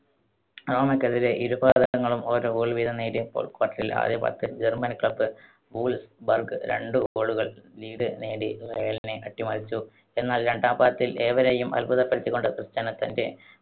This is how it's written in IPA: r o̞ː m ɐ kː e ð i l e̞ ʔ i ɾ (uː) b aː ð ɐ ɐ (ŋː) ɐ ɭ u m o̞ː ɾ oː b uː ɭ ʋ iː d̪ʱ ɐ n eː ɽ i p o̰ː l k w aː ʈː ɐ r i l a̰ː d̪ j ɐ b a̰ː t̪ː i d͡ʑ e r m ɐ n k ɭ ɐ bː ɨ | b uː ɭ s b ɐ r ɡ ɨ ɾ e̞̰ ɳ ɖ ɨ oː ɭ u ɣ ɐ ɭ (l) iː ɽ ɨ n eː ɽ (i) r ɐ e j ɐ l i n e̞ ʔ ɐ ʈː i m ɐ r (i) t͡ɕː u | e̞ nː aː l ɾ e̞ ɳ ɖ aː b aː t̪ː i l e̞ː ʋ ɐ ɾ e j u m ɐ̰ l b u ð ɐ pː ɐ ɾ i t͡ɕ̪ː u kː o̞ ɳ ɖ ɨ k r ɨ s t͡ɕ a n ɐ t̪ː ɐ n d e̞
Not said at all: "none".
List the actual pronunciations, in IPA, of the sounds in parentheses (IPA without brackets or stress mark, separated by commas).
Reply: u, ŋː, l, i, i